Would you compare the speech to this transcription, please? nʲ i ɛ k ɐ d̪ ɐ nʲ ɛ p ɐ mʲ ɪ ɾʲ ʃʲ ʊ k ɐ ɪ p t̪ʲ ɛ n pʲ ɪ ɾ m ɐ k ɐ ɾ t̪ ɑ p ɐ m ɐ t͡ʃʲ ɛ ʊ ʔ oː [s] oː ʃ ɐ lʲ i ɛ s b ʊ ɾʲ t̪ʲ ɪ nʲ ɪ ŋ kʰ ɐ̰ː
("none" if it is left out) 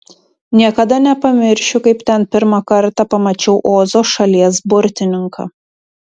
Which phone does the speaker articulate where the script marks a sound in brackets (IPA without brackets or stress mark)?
z